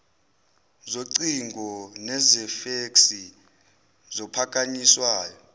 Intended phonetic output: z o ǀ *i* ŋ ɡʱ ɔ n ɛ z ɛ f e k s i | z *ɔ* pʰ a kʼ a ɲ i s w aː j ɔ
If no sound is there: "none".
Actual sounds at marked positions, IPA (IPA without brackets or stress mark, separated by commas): i, ɔ